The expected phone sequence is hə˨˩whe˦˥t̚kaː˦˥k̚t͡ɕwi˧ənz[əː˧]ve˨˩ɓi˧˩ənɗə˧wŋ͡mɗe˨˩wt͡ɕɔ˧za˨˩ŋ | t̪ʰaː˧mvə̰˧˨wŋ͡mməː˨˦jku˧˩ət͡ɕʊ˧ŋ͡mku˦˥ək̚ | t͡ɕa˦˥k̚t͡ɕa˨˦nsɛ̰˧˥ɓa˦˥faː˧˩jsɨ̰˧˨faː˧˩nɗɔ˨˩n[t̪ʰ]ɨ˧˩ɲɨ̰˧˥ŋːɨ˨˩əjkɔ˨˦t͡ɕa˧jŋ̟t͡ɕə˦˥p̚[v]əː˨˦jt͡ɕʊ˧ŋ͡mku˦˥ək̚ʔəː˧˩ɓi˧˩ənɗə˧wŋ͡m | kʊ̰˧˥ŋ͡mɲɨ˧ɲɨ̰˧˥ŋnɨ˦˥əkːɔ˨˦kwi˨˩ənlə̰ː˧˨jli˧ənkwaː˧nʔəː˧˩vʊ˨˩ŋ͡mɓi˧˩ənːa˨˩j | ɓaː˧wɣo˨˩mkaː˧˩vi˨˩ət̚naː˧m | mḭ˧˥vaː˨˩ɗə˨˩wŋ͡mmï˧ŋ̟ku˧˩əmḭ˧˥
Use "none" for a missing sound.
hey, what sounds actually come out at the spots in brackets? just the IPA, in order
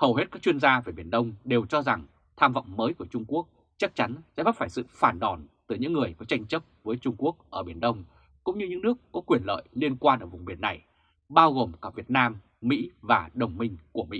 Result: aː˧, t̪, v

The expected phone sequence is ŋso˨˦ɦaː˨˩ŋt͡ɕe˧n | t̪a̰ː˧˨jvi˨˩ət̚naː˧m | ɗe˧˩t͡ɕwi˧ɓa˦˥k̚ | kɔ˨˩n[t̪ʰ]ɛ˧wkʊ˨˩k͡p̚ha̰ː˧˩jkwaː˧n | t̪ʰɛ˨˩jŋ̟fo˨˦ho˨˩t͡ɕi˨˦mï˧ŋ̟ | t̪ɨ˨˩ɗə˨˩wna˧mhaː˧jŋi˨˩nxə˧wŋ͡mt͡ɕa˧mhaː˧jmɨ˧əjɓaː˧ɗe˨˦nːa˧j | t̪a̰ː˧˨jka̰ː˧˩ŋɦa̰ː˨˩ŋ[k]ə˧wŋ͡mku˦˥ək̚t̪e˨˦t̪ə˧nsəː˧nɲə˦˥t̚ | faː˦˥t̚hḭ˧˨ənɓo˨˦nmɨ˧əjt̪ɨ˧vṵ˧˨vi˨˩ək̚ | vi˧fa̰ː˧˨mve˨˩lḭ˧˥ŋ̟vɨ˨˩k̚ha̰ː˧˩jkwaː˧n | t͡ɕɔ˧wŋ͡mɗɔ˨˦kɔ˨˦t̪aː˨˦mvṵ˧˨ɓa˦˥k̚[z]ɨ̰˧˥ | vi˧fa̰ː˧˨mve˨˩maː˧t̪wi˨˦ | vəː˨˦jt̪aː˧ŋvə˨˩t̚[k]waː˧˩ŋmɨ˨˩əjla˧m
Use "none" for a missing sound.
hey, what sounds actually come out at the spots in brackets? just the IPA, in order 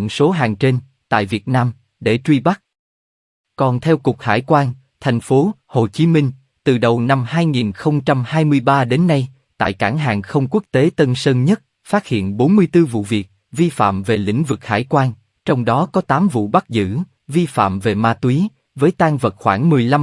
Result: t̪ʰ, x, z, x

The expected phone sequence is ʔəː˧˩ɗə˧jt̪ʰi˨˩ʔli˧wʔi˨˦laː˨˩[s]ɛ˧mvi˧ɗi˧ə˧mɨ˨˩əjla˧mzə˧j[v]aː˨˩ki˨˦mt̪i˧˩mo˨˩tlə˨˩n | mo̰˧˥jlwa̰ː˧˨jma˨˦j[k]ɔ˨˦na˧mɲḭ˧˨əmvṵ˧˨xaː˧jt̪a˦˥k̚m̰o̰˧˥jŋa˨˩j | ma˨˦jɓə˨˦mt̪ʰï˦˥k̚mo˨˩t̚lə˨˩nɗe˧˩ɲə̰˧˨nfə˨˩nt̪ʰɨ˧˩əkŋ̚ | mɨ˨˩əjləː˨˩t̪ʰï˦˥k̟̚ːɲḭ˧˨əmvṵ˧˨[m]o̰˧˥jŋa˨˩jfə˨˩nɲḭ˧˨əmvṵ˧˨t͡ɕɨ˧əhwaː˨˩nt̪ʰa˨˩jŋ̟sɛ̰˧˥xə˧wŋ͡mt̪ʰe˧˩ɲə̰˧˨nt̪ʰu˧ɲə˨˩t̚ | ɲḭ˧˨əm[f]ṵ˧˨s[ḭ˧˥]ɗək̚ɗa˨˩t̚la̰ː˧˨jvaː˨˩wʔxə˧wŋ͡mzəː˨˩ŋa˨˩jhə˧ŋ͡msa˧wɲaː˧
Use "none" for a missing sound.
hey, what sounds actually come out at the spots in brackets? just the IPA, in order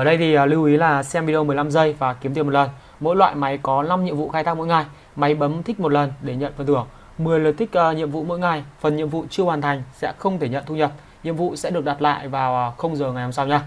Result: s, v, k, m, v, ɛ̰˧˥

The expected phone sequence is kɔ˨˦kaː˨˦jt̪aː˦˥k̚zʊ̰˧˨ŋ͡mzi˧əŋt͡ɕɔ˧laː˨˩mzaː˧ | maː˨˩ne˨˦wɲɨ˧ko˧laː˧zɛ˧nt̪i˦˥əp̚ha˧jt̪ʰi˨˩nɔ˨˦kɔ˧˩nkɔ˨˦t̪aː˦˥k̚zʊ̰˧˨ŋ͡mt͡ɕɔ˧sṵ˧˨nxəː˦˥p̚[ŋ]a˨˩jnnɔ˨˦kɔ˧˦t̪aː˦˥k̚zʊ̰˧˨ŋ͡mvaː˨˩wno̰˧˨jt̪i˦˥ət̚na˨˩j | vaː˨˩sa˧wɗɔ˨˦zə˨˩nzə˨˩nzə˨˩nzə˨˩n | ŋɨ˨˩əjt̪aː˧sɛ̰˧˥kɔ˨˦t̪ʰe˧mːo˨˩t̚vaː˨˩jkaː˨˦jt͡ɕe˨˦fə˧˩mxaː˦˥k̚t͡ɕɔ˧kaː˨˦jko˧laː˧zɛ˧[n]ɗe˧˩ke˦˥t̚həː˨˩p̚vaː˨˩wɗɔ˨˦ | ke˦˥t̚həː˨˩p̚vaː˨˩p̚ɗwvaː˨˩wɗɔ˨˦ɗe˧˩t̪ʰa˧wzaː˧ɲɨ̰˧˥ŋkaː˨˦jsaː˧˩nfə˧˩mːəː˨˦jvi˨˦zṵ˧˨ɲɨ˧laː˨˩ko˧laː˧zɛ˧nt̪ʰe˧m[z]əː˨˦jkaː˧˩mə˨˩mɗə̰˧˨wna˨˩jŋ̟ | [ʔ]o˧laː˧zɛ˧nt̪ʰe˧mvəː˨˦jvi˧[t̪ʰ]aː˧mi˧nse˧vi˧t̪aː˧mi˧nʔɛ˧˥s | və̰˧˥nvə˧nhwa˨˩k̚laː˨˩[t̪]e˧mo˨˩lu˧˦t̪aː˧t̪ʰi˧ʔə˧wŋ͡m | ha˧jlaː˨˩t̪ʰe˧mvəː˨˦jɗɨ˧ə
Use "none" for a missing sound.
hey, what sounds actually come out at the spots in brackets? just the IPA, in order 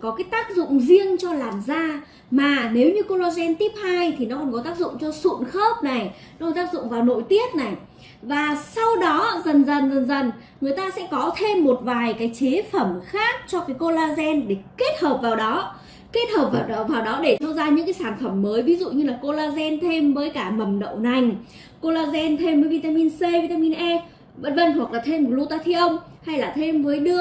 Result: n, n, v, k, t̪, t̪ʰ

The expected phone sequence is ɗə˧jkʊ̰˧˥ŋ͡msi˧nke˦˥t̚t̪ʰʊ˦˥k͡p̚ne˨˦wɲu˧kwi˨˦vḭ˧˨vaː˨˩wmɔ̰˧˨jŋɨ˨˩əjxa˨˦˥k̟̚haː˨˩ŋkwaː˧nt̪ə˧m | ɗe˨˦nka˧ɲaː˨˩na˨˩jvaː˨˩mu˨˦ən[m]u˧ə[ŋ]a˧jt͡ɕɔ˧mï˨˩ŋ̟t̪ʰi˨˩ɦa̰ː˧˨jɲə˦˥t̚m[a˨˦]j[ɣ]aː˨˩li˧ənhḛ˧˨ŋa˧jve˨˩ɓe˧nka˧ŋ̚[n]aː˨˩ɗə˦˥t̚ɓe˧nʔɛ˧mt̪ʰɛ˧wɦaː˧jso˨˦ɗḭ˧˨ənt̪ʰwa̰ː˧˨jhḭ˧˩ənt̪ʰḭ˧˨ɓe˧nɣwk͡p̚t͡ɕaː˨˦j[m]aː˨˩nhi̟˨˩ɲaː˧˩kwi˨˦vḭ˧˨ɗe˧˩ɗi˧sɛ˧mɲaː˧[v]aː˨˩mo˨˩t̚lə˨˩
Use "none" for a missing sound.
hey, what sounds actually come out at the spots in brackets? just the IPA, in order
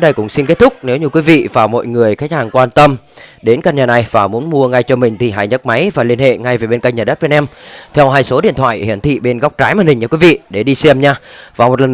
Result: m, ŋ, a˨˦, v, ɲ, m, v

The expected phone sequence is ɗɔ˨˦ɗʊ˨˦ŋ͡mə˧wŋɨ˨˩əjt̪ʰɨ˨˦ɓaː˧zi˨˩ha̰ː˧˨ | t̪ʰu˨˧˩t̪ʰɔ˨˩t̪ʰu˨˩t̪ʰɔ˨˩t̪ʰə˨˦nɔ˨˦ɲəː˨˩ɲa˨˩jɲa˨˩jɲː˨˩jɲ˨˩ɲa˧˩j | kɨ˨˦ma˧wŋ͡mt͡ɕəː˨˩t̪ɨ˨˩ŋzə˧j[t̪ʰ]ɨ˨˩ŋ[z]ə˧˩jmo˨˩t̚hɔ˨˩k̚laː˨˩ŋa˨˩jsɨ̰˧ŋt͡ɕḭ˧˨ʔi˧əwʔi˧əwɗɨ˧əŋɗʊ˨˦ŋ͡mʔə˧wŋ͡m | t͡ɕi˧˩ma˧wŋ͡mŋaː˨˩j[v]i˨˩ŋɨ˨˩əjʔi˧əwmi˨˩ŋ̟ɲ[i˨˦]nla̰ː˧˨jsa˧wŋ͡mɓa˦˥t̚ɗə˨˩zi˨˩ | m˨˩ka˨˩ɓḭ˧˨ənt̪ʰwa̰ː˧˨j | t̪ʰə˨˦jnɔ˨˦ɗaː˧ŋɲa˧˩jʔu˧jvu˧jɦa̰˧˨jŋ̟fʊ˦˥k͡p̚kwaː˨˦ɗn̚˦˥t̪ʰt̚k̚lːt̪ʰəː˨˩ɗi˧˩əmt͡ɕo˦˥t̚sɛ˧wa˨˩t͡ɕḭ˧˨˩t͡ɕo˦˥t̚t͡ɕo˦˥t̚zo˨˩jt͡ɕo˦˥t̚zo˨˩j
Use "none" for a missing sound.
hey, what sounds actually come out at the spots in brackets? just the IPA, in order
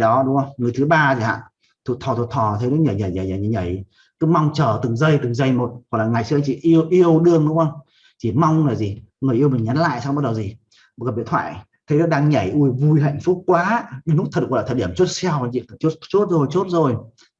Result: t̪, z, z, a˨˦

